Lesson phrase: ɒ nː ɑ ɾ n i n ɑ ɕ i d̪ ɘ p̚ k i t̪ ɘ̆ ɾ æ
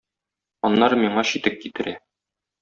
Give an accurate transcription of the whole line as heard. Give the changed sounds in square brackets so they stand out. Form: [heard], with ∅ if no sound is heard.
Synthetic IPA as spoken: ɒ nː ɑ ɾ [m] i [ɴ] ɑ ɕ i [t̪] ɘ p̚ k i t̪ ɘ̆ ɾ æ